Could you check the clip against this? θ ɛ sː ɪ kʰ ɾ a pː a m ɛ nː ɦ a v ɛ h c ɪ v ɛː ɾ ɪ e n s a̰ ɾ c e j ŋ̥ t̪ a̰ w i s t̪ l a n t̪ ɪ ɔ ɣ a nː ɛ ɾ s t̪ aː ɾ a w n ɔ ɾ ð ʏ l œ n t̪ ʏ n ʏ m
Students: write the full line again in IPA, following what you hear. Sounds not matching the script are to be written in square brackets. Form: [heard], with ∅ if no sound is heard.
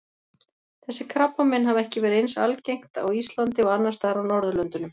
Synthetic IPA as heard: θ ɛ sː ɪ kʰ ɾ a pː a m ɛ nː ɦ a v ɛ h c ɪ v ɛː ɾ ɪ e n s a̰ [l] c e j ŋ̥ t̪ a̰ w i s t̪ l a n t̪ ɪ ɔ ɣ a nː [a] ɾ s t̪ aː ɾ a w n ɔ ɾ ð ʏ l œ n t̪ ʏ n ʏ m